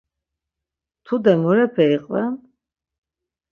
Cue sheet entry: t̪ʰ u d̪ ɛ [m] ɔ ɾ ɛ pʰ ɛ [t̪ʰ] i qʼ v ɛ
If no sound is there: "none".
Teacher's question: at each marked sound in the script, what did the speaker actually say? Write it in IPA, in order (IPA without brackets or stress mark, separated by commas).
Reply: m, none